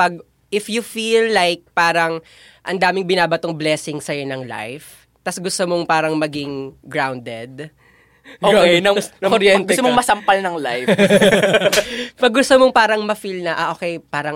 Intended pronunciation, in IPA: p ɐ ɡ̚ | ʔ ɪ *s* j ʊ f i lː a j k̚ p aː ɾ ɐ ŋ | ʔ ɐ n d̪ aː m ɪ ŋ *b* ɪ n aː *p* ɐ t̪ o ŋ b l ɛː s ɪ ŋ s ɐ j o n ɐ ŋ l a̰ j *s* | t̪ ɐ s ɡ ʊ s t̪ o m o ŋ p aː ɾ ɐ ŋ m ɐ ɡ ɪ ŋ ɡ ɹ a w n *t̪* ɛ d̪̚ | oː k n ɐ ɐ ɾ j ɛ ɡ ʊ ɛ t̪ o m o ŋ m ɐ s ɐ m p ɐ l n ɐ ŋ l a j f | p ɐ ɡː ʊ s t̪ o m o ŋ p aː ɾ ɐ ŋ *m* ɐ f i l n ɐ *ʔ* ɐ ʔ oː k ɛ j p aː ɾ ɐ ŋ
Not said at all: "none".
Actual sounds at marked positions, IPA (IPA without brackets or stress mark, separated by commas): f, b, b, f, d̪, m, ʔ